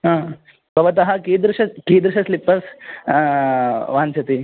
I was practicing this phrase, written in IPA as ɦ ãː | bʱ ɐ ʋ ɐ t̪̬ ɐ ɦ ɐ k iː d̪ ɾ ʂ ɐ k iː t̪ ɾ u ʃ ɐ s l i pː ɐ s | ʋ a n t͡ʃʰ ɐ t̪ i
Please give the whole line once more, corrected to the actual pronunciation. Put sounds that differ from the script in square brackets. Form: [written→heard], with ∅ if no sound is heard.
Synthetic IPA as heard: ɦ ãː | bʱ ɐ ʋ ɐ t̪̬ ɐ ɦ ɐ k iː d̪ ɾ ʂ ɐ k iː [t̪→d̪] ɾ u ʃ ɐ s l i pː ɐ s | ʋ a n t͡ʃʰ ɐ t̪ i